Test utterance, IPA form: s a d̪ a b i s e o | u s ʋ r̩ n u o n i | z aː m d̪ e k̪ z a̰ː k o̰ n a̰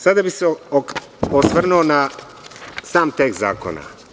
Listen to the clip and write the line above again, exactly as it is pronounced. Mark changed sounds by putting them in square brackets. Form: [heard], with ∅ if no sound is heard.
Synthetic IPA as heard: s a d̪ a b i s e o | [o] s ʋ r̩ n u o n [a] | [s] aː m [t̪] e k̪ z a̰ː k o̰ n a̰

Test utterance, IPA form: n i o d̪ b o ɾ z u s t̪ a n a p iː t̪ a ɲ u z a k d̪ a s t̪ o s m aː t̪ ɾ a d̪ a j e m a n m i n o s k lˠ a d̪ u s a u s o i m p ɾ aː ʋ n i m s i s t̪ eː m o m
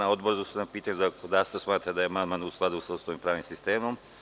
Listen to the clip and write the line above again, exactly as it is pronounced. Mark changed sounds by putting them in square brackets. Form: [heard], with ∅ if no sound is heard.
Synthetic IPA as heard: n [a] o d̪ b o ɾ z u s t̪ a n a p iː t̪ a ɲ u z a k d̪ a s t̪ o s m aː t̪ ɾ a d̪ a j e m a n m [a] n [u] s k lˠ a d̪ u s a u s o i m p ɾ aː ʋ n i m s i s t̪ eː m o m

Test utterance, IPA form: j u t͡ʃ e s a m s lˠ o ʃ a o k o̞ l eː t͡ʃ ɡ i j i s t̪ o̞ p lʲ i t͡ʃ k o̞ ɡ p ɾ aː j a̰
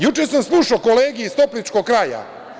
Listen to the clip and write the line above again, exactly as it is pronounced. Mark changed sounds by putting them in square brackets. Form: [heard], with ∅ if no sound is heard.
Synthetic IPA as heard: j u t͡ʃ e s a m s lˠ [u] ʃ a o k o̞ l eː [∅] ɡ i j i s t̪ o̞ p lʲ i t͡ʃ k o̞ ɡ [k] ɾ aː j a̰

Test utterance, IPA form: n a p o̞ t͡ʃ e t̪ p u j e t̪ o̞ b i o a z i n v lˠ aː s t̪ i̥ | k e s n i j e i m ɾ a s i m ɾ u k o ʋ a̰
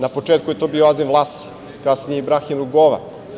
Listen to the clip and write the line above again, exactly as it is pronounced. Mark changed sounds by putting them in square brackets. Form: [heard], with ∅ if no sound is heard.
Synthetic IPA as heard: n a p o̞ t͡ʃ e t̪ [k] u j e t̪ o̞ b i o a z i n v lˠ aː s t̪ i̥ | k [a] s n i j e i [b] ɾ a [x] i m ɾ u [ɡ] o ʋ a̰

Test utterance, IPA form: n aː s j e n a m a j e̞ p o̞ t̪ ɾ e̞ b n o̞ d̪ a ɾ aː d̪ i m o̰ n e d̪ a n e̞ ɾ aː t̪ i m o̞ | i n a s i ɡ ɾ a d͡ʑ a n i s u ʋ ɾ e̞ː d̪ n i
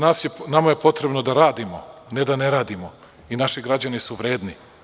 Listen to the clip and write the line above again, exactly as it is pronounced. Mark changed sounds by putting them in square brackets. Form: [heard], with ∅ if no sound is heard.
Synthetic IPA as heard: n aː s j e n a m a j e̞ p o̞ t̪ ɾ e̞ b n o̞ d̪ a ɾ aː d̪ i m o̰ n e d̪ a n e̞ ɾ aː [d̪] i m o̞ | i n a [ʃ] i ɡ ɾ a d͡ʑ a n i s u ʋ ɾ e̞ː d̪ n i

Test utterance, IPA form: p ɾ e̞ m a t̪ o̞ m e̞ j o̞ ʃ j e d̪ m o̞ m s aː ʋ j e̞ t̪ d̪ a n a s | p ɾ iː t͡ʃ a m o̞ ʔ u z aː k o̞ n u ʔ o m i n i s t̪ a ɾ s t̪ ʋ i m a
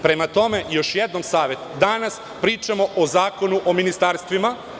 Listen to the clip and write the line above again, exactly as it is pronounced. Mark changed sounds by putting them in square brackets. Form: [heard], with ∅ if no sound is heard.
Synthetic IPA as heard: p ɾ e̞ m a t̪ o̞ m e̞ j o̞ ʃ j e d̪ [n] o̞ m s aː ʋ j e̞ t̪ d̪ a n a s | p ɾ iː t͡ʃ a m o̞ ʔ [o] z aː k o̞ n u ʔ o m i n i s t̪ a ɾ s t̪ ʋ i m a

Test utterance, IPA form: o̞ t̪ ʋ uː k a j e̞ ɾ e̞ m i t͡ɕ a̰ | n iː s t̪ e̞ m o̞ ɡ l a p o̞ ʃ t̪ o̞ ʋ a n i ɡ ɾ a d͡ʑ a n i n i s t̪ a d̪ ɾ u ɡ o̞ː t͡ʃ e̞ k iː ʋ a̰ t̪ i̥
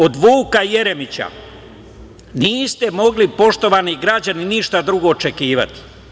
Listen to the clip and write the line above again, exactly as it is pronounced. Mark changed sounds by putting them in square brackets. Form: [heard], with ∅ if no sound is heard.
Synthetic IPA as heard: o̞ [d̪] ʋ uː k a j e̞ ɾ e̞ m i t͡ɕ a̰ | n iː s t̪ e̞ m o̞ ɡ l [i] p o̞ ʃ t̪ o̞ ʋ a n i ɡ ɾ a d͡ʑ a n i n i [ʃ] t̪ a d̪ ɾ u ɡ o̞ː t͡ʃ e̞ k iː ʋ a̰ t̪ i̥

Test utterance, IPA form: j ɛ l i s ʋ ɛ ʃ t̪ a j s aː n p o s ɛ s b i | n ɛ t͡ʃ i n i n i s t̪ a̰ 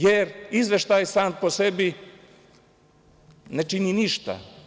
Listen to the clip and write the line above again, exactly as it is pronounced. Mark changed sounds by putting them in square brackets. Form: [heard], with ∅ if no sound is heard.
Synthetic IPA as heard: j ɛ [ɾ] i [z] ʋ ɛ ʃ t̪ a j s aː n p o s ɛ [∅] b i | n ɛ t͡ʃ i n i n i [ʃ] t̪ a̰

